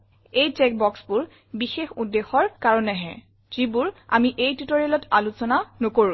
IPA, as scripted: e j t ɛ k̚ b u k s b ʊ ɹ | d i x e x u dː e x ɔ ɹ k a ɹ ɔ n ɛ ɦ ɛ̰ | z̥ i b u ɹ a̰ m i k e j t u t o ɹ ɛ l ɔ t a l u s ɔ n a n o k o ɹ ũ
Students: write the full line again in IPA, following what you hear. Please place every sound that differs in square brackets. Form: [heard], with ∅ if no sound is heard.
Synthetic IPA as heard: e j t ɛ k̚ b [ɔ] k s b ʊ ɹ | [b] i x e x u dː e x ɔ ɹ k a ɹ ɔ n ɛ ɦ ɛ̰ | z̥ i b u ɹ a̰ m i [ʔ] e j t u t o ɹ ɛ l ɔ t a l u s ɔ n a n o k o ɹ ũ